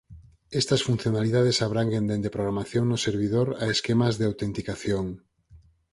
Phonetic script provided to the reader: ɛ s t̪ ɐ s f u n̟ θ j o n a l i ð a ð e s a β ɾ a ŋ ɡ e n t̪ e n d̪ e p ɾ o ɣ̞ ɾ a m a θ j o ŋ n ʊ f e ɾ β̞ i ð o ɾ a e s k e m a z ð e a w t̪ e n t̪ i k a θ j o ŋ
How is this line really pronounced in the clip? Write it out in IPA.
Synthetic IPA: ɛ s t̪ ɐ s f u n̟ θ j o n a l i ð a ð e s a β ɾ a ŋ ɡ e n d̪ e n d̪ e p ɾ o ɣ̞ ɾ a m a θ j o ŋ n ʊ s e ɾ β̞ i ð o ɾ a e s k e m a z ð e a w t̪ e n t̪ i k a θ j o ŋ

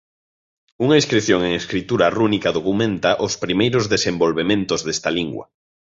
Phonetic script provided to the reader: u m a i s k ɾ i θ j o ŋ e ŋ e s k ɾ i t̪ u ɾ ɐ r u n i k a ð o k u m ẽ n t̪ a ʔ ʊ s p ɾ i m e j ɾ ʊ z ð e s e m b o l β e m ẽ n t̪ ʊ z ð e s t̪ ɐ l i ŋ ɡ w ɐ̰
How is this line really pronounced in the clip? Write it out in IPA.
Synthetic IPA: u ŋ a i s k ɾ i θ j o ŋ e ŋ e s k ɾ i t̪ u ɾ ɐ r u n i k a ð o k u m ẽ n t̪ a ʔ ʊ s p ɾ i m e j ɾ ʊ z ð e s e m b o l β e m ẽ n t̪ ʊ z ð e s t̪ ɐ l i ŋ ɡ w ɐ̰

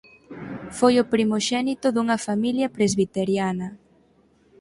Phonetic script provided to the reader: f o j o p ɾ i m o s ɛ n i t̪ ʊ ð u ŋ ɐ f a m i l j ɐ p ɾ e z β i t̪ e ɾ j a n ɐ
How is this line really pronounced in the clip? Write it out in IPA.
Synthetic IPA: f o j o p ɾ i m o ʃ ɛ n i t̪ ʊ ð u ŋ ɐ f a m i l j ɐ p ɾ e z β i t̪ e ɾ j a n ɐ

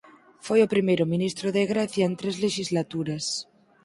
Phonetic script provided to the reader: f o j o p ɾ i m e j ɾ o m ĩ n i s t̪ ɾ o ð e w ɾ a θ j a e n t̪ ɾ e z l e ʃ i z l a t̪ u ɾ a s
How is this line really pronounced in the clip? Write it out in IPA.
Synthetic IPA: f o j o p ɾ i m e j ɾ o m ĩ n i s t̪ ɾ o ð e ɣ ɾ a θ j a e n t̪ ɾ e z l e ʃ i z l a t̪ u ɾ a s

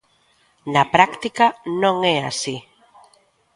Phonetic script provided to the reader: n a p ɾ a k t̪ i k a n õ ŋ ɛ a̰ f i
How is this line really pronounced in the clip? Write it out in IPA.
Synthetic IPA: n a p ɾ a k t̪ i k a n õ ŋ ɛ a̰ s i

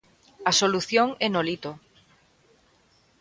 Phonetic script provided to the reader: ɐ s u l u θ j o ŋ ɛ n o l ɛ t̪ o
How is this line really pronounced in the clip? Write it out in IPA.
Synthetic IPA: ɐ s o l u θ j o ŋ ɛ n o l i t̪ o

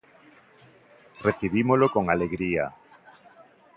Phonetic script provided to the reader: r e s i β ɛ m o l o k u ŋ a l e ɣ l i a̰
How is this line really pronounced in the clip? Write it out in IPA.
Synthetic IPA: r e θ i β i m o l o k o ŋ a l e ɣ ɾ i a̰

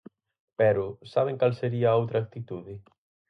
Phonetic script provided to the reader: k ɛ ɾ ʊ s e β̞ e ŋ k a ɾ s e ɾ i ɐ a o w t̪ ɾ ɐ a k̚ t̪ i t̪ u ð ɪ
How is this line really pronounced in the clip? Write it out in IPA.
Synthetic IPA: p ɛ ɾ ʊ s a β̞ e ŋ k a l s e ɾ i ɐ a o w t̪ ɾ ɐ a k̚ t̪ i t̪ u ð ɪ

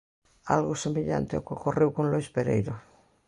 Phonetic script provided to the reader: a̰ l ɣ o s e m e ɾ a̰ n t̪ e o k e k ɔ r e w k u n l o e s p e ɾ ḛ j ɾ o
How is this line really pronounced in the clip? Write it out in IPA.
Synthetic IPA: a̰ l ɣ o s e m e ʎ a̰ n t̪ e o k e k o r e w k o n l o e s p e ɾ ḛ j ɾ o

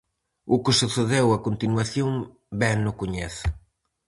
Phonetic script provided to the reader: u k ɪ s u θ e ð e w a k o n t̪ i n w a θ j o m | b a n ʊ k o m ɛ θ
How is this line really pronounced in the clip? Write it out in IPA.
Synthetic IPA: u k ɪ s u θ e ð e w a k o n t̪ i n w a θ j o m | b ɛ n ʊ k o ɲ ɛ θ

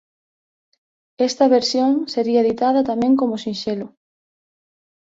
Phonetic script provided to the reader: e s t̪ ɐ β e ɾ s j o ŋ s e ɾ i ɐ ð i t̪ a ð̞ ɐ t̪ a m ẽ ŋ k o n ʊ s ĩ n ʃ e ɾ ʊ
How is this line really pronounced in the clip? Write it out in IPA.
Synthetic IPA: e s t̪ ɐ β e ɾ s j o ŋ s e ɾ i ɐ ð i t̪ a ð̞ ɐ t̪ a m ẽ ŋ k o m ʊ s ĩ n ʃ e l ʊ

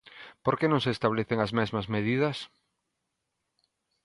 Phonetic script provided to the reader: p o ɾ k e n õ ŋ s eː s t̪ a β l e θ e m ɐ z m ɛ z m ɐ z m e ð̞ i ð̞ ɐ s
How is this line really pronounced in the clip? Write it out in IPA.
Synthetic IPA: p o ɾ k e n õ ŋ s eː s t̪ a β l e θ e ŋ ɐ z m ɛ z m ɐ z m e ð̞ i ð̞ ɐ s

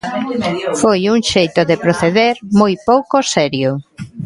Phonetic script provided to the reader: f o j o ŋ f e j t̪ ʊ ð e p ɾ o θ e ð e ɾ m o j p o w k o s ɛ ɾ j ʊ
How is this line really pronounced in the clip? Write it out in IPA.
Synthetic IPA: f o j u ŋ ʃ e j t̪ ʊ ð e p ɾ o θ e ð e ɾ m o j p o w k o s ɛ ɾ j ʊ

